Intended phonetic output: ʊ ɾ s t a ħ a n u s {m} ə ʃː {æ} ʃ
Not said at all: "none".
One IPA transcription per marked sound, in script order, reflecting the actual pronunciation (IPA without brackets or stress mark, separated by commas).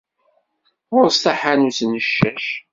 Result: n, æ